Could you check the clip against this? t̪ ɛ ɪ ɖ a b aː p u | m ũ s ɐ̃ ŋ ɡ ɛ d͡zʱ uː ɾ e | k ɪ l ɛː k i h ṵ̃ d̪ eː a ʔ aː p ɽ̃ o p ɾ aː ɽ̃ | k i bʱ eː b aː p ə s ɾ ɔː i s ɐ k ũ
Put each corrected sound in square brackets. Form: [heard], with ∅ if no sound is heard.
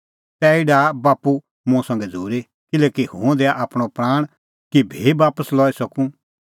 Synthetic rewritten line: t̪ ɛ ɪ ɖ a b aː p u | m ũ s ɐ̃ ŋ ɡ ɛ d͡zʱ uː ɾ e | k ɪ l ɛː k i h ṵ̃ d̪ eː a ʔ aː p ɽ̃ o p ɾ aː ɽ̃ | k i bʱ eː b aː p ə s [l] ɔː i s ɐ k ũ

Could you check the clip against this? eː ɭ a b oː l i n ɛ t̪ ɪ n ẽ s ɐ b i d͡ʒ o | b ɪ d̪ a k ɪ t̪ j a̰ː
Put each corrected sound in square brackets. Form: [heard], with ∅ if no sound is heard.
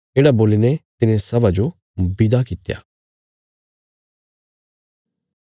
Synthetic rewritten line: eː [ɽ] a b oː l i n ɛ t̪ ɪ n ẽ s ɐ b [a] d͡ʒ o | b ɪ d̪ a k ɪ t̪ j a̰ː

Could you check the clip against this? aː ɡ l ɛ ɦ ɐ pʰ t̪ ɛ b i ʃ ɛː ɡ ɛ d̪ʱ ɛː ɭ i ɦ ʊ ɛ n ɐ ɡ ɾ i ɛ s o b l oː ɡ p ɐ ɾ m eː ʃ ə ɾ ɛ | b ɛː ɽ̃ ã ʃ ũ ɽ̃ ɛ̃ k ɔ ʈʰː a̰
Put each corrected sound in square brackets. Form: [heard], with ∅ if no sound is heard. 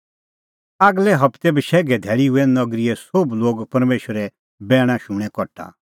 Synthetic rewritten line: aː ɡ l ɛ ɦ ɐ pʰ t̪ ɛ b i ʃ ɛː ɡ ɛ d̪ʱ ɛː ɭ i ɦ ʊ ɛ n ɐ ɡ ɾ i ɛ s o b l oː ɡ p ɐ ɾ m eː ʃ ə ɾ ɛ | b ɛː ɽ̃ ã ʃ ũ ɽ̃ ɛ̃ k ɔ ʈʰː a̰

